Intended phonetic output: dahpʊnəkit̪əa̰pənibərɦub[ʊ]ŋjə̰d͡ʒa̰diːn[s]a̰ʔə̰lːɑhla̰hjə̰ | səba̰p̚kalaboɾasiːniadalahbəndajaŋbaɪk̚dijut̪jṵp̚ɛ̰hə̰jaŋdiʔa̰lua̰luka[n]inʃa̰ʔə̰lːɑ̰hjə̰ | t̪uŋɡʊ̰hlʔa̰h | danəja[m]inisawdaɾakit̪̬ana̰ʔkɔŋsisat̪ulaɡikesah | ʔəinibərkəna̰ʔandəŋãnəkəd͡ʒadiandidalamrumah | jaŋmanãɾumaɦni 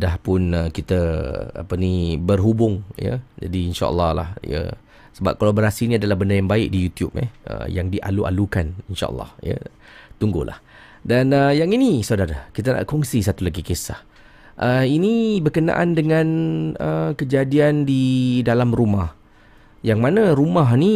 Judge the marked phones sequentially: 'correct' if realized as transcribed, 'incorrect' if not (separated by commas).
correct, incorrect, correct, incorrect